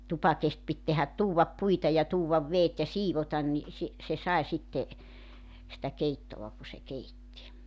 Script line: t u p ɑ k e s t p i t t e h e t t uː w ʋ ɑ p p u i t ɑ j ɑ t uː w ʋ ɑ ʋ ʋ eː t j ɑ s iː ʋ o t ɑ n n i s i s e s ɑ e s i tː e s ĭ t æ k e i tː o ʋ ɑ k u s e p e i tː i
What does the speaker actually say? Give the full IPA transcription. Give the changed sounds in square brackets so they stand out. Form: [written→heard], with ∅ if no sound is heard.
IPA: t u p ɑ k e s t p i t t e h [e→æ] t t uː w ʋ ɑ p p u i t ɑ j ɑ t uː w ʋ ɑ ʋ ʋ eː t j ɑ s iː ʋ o t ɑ n n i s i s e s ɑ e s i tː e s ĭ t æ k e i tː o ʋ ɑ k u s e [p→k] e i tː i